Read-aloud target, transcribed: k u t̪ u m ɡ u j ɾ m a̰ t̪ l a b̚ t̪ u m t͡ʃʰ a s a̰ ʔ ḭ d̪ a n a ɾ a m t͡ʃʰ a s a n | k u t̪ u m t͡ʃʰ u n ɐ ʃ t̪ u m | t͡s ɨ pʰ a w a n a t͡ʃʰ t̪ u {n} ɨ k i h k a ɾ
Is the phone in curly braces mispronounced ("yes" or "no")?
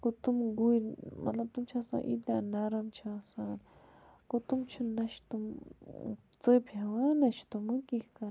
yes